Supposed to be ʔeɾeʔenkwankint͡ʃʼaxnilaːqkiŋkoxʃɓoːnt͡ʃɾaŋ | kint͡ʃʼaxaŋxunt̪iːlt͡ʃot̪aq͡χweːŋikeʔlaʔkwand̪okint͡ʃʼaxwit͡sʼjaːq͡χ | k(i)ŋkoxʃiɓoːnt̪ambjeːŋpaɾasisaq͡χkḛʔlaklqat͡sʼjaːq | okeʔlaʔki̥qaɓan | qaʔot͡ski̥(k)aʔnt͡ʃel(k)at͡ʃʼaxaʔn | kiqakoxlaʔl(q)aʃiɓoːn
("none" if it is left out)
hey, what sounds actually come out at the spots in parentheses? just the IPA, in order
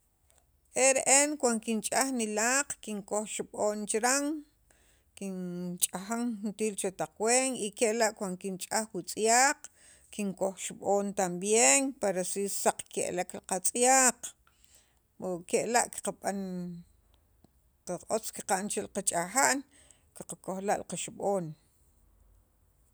i, q, q, q

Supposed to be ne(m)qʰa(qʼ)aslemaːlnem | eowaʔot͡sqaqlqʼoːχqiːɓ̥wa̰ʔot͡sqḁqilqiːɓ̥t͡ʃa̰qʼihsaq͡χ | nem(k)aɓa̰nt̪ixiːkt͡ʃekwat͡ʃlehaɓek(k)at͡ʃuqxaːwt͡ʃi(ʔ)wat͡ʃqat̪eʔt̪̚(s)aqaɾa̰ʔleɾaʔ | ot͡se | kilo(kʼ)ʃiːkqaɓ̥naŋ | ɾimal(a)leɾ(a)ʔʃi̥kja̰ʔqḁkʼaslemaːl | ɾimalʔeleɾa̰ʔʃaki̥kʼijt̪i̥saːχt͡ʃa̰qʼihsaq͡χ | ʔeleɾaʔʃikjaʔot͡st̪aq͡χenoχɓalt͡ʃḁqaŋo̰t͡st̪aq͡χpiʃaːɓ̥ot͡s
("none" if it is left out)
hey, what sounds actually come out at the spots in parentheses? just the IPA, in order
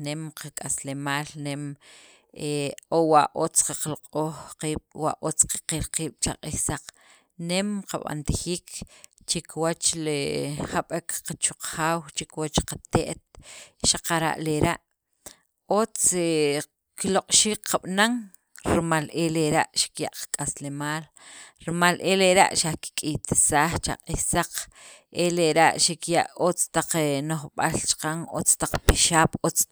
m, kʼ, q, q, k, ʃ, qʼ, e, a

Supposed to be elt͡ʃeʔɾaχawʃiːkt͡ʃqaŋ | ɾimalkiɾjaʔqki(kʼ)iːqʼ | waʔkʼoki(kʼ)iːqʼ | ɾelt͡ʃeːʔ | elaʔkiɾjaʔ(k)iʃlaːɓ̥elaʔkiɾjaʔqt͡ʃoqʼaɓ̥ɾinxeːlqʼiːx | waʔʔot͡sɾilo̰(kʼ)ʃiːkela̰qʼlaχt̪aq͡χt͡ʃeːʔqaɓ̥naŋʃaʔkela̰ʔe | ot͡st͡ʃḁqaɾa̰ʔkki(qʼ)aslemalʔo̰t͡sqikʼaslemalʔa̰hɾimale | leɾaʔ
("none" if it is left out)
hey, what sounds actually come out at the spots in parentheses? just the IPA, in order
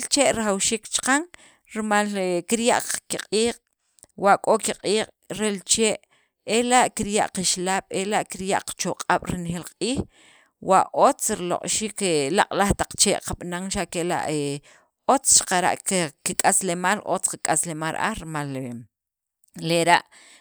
qʼ, qʼ, q, qʼ, kʼ

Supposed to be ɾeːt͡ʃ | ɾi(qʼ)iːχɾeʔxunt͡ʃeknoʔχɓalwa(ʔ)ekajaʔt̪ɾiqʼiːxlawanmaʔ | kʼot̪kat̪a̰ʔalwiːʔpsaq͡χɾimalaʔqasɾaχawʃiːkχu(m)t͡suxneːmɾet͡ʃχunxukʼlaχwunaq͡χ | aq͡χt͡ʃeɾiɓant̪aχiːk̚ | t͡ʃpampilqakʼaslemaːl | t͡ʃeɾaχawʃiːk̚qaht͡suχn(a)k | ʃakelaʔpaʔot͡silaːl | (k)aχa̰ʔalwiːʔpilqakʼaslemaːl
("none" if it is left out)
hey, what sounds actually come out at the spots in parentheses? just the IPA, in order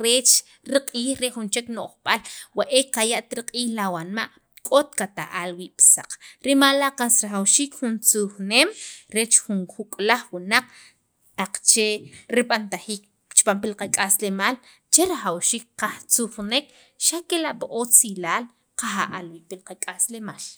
qʼ, ʔ, n, e, q

